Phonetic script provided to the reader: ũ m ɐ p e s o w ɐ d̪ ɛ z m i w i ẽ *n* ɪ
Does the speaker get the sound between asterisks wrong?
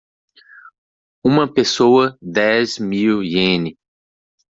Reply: no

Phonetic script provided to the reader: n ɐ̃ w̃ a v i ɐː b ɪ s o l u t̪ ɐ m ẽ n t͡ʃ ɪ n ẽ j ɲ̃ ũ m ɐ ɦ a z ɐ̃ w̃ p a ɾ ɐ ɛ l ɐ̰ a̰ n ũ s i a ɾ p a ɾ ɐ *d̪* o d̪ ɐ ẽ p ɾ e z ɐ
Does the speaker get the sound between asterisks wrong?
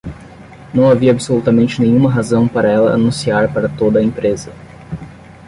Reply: yes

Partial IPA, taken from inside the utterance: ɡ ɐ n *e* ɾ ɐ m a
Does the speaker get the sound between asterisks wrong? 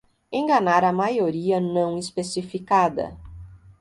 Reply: yes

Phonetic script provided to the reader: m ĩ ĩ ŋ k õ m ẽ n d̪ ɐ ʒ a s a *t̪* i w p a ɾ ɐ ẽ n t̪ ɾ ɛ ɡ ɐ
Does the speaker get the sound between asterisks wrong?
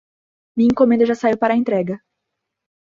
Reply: yes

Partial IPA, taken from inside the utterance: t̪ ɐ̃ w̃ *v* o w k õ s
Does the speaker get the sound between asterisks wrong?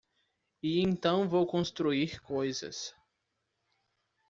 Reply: no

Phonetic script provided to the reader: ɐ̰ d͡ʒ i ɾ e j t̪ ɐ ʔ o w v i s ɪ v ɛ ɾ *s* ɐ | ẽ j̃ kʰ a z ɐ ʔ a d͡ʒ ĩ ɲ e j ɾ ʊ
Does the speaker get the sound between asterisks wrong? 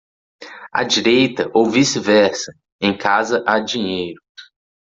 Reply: no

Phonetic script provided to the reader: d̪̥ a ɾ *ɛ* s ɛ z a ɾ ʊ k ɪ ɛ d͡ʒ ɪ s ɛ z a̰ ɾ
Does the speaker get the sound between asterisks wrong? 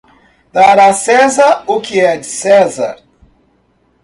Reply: yes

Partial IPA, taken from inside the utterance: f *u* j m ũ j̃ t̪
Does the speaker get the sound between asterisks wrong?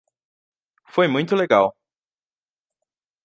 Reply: yes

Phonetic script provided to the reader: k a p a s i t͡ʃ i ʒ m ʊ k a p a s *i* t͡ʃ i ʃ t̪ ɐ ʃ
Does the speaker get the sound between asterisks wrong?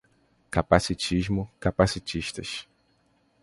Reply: no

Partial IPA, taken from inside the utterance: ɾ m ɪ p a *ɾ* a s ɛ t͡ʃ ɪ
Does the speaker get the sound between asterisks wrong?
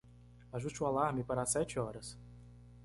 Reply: no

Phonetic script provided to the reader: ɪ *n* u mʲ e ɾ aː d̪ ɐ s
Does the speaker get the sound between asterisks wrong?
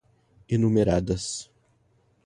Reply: no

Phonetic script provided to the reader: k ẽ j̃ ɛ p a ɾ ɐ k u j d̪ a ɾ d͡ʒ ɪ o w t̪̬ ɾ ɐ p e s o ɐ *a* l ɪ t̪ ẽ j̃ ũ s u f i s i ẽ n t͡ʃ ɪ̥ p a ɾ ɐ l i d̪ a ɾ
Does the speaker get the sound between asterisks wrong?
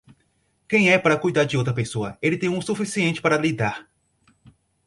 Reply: yes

